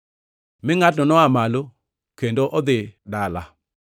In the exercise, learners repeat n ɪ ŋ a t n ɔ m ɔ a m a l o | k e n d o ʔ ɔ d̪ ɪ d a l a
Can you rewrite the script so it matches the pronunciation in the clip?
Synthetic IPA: m ɪ ŋ a t n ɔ n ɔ a m a l o | k e n d o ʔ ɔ d̪ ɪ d a l a